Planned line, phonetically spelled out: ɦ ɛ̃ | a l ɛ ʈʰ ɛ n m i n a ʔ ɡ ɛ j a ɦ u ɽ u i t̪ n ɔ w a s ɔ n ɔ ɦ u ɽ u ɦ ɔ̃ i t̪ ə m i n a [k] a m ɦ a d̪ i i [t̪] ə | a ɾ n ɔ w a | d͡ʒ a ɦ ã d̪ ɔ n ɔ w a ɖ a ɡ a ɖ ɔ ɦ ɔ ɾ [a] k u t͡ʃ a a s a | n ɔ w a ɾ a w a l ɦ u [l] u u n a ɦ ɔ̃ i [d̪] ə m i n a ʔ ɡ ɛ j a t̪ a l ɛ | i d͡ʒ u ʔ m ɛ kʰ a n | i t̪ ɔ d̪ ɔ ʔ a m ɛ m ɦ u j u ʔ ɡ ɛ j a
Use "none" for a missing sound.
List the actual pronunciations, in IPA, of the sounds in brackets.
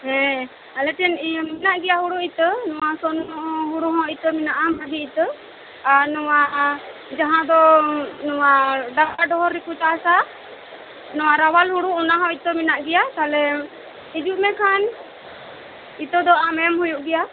ʔ, t̪, i, ɽ, t̪

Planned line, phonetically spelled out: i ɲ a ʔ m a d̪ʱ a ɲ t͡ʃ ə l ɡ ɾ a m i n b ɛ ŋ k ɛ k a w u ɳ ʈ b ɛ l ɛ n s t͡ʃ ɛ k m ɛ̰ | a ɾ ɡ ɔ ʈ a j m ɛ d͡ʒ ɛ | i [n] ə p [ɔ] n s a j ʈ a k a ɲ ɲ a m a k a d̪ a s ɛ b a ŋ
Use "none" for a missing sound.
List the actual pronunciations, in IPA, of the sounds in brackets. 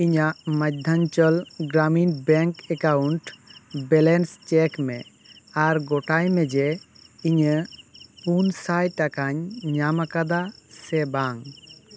ɲ, u

